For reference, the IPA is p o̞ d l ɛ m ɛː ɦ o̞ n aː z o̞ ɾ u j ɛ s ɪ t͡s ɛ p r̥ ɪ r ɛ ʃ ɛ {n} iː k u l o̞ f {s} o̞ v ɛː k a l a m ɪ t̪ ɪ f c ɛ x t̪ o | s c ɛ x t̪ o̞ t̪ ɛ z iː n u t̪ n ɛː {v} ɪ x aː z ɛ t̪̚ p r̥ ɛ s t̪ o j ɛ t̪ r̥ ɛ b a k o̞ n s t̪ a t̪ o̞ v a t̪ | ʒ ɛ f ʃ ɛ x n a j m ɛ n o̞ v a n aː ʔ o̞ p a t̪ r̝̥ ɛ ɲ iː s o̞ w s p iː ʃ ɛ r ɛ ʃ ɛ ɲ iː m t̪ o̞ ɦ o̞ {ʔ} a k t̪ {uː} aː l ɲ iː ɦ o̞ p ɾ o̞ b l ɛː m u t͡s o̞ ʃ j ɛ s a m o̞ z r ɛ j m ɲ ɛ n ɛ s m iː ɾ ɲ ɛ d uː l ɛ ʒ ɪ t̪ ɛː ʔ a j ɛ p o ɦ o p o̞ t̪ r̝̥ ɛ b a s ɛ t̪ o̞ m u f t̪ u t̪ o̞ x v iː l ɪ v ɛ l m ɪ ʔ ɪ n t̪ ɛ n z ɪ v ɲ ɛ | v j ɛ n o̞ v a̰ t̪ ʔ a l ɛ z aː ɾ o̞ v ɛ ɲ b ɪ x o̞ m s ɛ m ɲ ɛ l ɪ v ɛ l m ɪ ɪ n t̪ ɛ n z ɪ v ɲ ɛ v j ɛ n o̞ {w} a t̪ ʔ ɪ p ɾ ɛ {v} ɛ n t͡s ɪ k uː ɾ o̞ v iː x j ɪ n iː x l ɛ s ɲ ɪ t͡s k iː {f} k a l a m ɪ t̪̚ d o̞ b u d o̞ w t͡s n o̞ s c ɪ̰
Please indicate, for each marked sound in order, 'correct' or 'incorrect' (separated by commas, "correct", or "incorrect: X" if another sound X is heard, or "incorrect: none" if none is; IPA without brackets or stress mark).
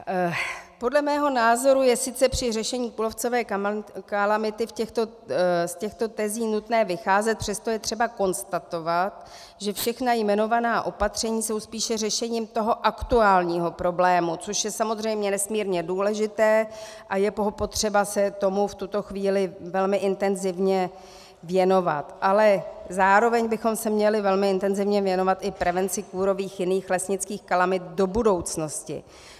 incorrect: ɲ, incorrect: t͡s, correct, correct, incorrect: u, incorrect: v, correct, incorrect: x